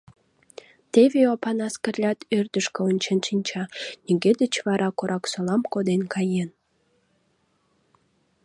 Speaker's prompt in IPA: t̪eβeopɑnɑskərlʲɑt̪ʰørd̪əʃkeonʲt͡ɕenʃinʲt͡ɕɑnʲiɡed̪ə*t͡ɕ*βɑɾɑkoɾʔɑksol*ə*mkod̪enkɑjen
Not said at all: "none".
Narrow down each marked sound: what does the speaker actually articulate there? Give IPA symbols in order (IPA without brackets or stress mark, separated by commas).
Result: t͡ɕ, ɑ